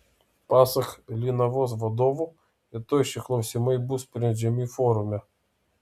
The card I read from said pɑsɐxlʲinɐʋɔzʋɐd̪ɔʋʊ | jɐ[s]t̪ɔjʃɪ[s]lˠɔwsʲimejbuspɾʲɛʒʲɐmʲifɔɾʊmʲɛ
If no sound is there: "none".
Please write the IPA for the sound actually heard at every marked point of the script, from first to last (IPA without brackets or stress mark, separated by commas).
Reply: none, x